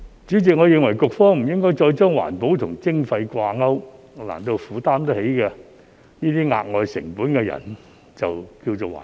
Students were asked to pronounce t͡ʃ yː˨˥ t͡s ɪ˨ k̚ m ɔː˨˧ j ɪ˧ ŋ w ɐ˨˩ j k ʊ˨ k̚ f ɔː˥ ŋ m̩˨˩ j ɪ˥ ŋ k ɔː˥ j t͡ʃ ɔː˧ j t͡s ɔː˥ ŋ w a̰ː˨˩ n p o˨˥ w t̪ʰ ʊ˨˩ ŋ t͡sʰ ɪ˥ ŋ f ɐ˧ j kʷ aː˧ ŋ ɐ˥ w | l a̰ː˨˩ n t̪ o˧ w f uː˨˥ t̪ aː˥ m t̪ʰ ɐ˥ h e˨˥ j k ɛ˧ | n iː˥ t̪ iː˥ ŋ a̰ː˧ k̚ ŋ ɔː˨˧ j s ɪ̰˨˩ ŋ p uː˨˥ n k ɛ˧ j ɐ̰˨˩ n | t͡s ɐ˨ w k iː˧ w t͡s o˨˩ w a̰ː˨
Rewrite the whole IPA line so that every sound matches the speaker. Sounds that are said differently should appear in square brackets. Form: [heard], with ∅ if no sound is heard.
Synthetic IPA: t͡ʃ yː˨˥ t͡s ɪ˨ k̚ [ŋ] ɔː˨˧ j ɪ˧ ŋ w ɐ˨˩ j k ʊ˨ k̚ f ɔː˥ ŋ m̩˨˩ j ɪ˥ ŋ k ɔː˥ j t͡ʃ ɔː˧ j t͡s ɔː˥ ŋ w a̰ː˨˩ n p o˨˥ w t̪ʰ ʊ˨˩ ŋ [t͡s] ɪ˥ ŋ f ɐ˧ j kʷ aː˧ ŋ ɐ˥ w | l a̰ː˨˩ n t̪ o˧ w f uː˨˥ t̪ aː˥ m [t̪] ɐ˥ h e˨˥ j k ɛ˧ | n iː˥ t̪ iː˥ ŋ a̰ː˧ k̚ ŋ ɔː˨˧ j s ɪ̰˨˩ ŋ p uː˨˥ n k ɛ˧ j ɐ̰˨˩ n | t͡s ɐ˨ w k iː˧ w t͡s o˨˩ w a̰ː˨